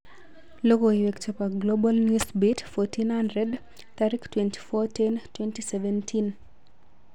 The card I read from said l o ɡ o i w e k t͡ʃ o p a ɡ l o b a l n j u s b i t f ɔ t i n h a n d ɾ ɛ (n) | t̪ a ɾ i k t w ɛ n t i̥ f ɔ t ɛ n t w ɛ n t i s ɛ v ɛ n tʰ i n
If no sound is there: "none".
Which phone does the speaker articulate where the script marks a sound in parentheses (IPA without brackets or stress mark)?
d